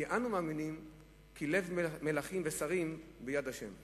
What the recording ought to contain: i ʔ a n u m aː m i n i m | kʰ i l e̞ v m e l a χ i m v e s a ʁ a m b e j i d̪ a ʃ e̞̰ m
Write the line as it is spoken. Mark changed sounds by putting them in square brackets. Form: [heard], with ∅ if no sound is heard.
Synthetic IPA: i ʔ a n u m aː m i n i m | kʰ i l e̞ v m e l a χ i m v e s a ʁ [i] m b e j [a] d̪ a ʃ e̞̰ m